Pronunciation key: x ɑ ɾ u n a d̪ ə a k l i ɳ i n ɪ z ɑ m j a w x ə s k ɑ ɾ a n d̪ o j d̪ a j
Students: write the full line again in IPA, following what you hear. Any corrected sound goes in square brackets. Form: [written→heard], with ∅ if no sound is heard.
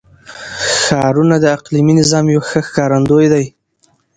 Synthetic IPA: x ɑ ɾ u n a d̪ ə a [k→q] l i [ɳ→m] i n ɪ z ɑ m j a w x ə [s→x] k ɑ ɾ a n d̪ o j d̪ a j

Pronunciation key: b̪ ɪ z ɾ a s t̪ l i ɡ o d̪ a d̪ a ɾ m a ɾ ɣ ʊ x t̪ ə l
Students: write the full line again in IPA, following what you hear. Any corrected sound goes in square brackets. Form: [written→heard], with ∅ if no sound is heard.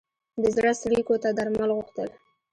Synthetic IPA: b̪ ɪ z ɾ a s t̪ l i [ɡ→k] o [d̪→t̪] a d̪ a ɾ m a [ɾ→l] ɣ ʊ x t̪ ə l

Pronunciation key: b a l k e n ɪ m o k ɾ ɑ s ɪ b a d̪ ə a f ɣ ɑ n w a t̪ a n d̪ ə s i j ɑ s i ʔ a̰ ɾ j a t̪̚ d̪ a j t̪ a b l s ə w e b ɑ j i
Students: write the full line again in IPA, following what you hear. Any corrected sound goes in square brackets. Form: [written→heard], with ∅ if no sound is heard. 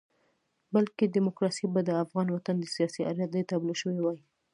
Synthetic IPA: b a l k e [n→d] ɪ m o k ɾ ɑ s [ɪ→i] b a d̪ ə a f ɣ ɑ n w a t̪ a n d̪ ə s i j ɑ s i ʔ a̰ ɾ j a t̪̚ d̪ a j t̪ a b l [s→ʃ] ə w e [b→w] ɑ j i

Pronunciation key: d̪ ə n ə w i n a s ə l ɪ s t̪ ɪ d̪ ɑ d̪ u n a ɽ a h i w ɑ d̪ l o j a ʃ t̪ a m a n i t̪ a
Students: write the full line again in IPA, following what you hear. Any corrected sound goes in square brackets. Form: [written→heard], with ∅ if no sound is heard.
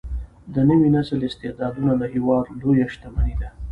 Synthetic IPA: d̪ ə n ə w i n a s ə l ɪ s t̪ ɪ d̪ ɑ d̪ u n a [ɽ→l] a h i w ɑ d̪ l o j a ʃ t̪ a m a n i [t̪→d̪] a

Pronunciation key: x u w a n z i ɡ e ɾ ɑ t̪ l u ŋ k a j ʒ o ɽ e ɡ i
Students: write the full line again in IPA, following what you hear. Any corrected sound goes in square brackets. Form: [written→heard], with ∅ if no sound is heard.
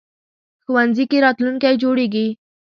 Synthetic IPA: x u w a n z i [ɡ→k] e ɾ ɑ t̪ l u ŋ k a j [ʒ→d͡ʒ] o ɽ e ɡ i

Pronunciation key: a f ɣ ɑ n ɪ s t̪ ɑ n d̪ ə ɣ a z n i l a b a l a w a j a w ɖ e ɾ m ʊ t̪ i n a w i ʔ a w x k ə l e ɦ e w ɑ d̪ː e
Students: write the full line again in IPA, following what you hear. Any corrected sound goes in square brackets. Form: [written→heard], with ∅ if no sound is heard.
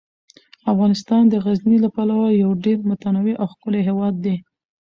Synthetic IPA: a f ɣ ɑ n ɪ s t̪ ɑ n d̪ ə ɣ a z n i l a [b→p] a l a w a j a w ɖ e ɾ m ʊ t̪ [i→a] n a w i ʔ a w x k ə l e ɦ e w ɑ d̪ː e

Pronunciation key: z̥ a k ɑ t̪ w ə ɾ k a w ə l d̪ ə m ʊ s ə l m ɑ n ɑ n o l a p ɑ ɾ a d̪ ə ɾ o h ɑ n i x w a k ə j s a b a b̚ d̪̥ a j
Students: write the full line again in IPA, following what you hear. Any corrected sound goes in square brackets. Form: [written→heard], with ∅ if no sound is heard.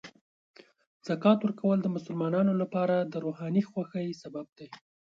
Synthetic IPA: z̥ a k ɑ t̪ w ə ɾ k a w ə l d̪ ə m ʊ s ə l m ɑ n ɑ n o l a p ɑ ɾ a d̪ ə ɾ o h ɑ n i x w a [k→x] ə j s a b a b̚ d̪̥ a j

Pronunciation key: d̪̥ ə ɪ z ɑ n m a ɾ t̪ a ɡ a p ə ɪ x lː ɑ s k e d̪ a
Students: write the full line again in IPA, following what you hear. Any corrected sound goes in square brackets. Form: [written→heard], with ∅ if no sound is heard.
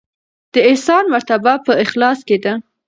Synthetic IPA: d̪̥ ə ɪ [z→s] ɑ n m a ɾ t̪ a [ɡ→b] a p ə ɪ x [lː→l] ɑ s k e d̪ a

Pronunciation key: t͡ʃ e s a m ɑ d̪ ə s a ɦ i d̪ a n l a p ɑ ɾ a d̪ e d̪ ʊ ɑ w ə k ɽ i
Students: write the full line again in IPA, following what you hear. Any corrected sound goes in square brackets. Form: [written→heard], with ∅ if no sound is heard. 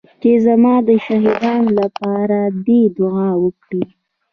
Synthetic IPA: t͡ʃ e [s→z] a m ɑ d̪ ə [s→ʃ] a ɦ i d̪ [a→ɑ] n l a p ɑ ɾ a d̪ e d̪ ʊ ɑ w ə k ɽ i

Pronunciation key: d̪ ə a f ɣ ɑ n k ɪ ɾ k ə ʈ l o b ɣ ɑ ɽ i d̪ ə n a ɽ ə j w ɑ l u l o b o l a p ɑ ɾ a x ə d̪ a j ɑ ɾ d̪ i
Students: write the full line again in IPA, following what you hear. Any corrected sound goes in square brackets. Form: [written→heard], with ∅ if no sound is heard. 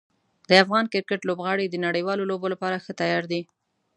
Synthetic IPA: d̪ ə a f ɣ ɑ n k ɪ ɾ k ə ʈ l o b ɣ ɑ ɽ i d̪ ə n a ɽ ə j w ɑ l [u→o] l o b o l a p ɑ ɾ a x ə [d̪→t̪] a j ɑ ɾ d̪ i

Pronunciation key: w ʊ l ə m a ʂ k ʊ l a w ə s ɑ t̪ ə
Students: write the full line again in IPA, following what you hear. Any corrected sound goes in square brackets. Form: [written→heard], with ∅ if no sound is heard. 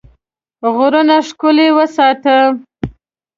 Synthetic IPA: [w→ɣ] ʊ [l→ɾ] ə [m→n] a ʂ k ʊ l [a→e] w ə s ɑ t̪ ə

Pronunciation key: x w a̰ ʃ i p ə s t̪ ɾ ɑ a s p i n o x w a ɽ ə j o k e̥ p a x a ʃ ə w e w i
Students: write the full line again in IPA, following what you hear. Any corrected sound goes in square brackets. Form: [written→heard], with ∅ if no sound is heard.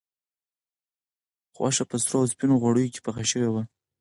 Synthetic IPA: x w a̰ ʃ [i→a] p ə s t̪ ɾ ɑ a s p i n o [x→ɣ] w a ɽ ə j o k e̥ p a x a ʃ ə w e w [i→a]

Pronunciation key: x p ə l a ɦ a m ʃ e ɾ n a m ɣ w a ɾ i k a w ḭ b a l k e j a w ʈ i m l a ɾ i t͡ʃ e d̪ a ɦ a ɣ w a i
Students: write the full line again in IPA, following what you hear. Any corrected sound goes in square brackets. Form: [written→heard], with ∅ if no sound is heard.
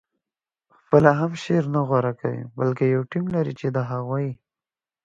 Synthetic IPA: x p ə l a ɦ a m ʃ e ɾ n a [m→∅] ɣ w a ɾ [i→a] k a w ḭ b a l k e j a w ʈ i m l a ɾ i t͡ʃ e d̪ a ɦ a ɣ w a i

